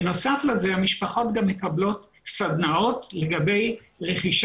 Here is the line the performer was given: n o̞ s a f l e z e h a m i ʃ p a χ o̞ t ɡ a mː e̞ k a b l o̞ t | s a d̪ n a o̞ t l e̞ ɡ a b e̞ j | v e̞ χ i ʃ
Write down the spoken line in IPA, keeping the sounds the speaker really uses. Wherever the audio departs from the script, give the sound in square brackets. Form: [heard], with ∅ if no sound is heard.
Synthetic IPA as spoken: n o̞ s a f l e z e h a m i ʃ p a χ o̞ t ɡ a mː e̞ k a b l o̞ t | s a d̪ n a o̞ t l e̞ ɡ a b e̞ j | [ʁ] e̞ χ i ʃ